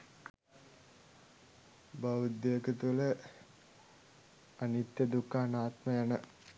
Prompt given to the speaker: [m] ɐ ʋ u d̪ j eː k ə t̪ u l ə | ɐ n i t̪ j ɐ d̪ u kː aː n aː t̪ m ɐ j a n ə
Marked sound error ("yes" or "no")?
yes